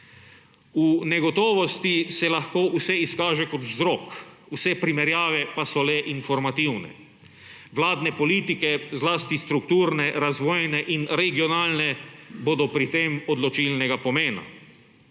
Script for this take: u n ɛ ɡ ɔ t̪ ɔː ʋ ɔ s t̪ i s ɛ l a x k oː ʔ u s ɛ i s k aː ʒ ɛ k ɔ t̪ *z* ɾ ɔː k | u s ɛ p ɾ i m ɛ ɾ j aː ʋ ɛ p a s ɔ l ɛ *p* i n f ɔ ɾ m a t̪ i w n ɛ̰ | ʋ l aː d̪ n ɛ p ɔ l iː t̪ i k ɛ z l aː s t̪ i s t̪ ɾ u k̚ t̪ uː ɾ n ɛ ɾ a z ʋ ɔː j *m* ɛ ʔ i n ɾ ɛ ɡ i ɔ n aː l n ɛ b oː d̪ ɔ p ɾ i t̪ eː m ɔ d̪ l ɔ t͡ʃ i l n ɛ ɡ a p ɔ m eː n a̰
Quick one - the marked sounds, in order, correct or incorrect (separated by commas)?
correct, incorrect, incorrect